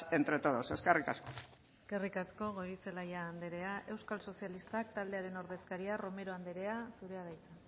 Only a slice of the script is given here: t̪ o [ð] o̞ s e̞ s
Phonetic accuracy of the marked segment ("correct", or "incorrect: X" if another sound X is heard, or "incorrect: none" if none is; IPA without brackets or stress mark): correct